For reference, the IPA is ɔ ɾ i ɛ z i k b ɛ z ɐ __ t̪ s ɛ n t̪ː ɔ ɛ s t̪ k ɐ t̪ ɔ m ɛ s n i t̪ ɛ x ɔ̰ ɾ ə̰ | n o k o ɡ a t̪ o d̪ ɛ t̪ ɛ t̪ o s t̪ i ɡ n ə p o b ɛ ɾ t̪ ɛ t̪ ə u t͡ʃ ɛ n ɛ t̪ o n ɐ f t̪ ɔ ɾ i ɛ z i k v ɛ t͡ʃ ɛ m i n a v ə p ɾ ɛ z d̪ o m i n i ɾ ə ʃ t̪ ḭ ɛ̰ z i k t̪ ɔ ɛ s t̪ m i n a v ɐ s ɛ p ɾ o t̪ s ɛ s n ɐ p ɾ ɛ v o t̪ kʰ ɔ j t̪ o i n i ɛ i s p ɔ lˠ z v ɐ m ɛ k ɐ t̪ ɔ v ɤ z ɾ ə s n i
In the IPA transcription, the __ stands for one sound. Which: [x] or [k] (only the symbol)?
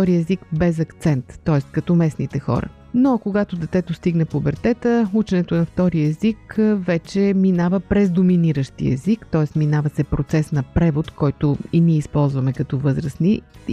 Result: k